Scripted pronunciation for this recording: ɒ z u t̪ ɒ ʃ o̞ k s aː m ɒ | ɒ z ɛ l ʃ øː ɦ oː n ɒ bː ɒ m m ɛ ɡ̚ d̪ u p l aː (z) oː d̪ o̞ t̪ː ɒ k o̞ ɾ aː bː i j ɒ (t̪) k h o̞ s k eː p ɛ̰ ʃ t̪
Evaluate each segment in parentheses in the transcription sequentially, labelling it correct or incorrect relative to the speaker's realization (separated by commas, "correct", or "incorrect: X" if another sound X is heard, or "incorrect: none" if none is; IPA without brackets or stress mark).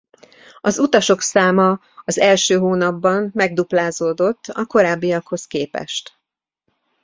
correct, incorrect: none